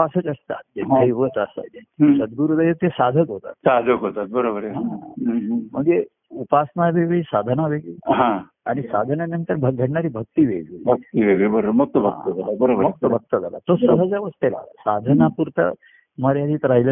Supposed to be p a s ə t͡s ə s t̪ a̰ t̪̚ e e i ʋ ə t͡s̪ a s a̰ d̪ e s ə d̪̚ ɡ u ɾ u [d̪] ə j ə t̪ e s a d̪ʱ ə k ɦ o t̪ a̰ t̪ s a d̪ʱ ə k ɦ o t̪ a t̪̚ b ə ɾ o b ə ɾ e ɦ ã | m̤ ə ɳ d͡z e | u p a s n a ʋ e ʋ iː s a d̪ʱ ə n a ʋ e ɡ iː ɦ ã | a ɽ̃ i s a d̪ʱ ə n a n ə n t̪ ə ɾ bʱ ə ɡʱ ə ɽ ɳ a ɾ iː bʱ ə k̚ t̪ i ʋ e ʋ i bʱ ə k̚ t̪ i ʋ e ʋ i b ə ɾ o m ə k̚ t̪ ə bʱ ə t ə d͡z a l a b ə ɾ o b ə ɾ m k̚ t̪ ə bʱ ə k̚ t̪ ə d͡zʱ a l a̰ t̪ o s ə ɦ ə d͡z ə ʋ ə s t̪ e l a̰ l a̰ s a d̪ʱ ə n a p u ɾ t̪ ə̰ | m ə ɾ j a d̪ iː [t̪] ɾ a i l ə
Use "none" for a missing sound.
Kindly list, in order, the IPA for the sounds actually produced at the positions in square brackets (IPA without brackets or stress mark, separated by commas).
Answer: d̪, t̪